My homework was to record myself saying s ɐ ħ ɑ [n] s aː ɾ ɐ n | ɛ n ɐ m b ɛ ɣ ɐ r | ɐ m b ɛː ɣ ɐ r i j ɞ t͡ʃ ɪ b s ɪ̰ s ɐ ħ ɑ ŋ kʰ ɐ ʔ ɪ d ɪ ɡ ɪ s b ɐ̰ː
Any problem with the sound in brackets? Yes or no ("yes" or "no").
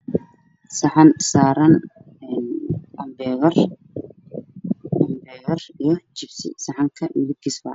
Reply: no